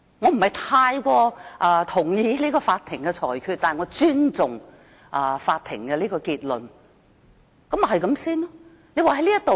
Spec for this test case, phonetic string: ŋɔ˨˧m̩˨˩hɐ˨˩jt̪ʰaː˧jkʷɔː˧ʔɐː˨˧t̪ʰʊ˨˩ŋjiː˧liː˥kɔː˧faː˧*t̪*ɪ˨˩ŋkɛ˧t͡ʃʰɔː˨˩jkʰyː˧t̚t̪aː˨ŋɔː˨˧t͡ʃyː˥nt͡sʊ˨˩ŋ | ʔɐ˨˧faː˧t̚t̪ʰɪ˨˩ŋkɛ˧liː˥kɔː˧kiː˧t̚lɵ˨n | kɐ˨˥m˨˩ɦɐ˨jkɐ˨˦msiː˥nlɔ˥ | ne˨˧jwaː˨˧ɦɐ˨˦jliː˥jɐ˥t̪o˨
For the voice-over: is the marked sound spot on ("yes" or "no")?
no